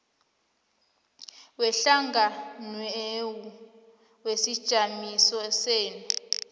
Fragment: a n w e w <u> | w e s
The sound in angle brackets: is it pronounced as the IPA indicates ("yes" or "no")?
yes